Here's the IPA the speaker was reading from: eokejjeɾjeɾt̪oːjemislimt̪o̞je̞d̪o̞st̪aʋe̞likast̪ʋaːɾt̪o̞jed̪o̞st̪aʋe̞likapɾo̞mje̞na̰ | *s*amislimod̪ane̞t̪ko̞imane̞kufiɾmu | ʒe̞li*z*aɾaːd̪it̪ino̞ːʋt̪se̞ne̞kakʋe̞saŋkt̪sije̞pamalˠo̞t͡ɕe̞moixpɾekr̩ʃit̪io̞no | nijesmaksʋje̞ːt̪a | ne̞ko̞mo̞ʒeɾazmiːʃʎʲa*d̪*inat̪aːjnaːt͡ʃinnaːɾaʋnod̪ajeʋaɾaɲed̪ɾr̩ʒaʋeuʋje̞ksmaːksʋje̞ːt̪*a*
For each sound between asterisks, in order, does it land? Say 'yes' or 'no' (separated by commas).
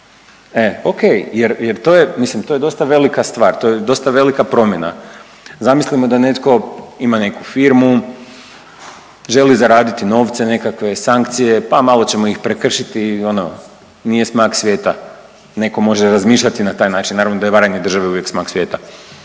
no, yes, no, yes